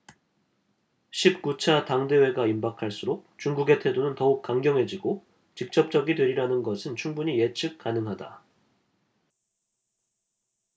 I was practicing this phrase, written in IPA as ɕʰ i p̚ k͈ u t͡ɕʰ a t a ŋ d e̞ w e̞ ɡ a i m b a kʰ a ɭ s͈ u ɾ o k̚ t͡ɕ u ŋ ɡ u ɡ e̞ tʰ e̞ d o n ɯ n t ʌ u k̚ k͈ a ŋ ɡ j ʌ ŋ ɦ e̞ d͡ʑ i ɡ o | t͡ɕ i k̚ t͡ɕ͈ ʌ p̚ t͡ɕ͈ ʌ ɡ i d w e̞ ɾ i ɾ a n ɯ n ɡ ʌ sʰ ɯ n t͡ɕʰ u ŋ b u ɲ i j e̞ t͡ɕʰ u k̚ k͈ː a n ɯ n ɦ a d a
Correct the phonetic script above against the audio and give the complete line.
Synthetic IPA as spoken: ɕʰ i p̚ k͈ u t͡ɕʰ a t a ŋ d e̞ w e̞ ɡ a i m b a kʰ a ɭ s͈ u ɾ o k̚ t͡ɕ u ŋ ɡ u ɡ e̞ tʰ e̞ d o n ɯ n t ʌ u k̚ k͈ a ŋ ɡ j ʌ ŋ ɦ e̞ d͡ʑ i ɡ o | t͡ɕ i k̚ t͡ɕ͈ ʌ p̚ t͡ɕ͈ ʌ ɡ i d w e̞ ɾ i ɾ a n ɯ n ɡ ʌ sʰ ɯ n t͡ɕʰ u ŋ b u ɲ i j e̞ t͡ɕʰ ɯ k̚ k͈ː a n ɯ ŋ ɦ a d a